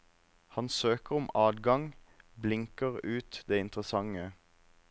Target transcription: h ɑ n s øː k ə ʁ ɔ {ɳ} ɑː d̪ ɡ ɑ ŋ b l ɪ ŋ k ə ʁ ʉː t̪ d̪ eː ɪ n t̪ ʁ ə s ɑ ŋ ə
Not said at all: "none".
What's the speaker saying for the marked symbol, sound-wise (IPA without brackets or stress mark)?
m